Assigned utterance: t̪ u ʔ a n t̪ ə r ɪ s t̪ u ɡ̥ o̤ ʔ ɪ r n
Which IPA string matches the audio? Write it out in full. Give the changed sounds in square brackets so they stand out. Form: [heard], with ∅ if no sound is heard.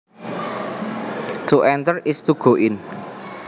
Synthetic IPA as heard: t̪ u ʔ [ɛ] n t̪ ə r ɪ s t̪ u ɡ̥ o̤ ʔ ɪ [∅] n